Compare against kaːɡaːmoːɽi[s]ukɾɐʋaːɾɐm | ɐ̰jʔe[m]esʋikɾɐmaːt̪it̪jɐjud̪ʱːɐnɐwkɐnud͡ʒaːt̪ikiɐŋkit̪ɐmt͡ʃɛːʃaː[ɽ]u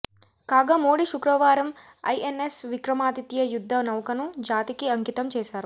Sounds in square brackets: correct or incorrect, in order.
incorrect, incorrect, incorrect

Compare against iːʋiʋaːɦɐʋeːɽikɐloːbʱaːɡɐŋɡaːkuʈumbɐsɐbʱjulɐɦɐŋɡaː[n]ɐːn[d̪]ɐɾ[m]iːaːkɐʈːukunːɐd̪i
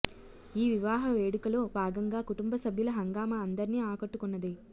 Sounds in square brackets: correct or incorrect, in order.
incorrect, correct, incorrect

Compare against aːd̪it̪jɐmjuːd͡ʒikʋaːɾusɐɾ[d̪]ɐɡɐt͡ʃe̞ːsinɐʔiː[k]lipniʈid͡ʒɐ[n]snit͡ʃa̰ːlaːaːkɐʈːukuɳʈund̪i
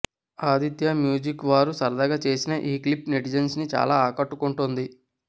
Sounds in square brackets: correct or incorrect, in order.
correct, correct, correct

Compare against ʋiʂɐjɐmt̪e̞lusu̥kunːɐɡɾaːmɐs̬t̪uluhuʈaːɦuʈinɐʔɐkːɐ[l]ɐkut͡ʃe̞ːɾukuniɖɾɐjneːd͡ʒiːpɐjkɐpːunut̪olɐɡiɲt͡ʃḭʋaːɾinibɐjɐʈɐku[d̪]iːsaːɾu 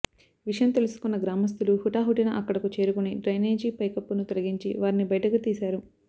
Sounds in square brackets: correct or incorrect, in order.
incorrect, incorrect

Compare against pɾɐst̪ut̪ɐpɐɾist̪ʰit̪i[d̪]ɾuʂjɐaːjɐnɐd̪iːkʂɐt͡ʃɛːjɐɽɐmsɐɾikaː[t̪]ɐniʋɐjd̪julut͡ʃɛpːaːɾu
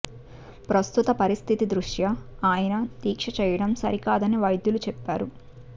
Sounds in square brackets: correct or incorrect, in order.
correct, incorrect

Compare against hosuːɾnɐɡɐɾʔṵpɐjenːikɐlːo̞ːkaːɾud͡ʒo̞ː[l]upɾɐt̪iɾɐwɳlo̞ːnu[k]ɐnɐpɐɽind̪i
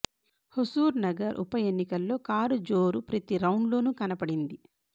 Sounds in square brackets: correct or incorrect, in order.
incorrect, correct

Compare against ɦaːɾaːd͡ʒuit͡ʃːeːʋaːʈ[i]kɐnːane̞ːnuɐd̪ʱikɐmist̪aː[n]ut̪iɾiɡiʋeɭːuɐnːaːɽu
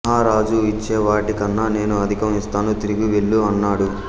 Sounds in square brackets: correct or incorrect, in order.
correct, correct

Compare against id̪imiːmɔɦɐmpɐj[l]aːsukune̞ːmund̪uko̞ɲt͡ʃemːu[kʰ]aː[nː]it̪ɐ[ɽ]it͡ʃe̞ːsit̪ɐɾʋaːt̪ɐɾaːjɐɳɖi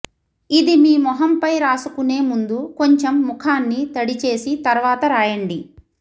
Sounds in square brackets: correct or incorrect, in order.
incorrect, correct, correct, correct

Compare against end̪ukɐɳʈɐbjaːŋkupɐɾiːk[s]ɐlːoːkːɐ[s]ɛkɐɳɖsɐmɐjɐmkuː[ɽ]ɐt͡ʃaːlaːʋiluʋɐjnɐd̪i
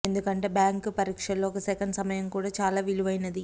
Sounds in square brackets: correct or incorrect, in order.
incorrect, correct, correct

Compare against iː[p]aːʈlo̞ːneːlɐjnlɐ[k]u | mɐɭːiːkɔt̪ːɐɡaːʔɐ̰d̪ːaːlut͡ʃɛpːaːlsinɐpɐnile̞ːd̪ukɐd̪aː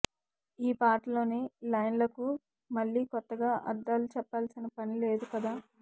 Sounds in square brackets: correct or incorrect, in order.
correct, correct

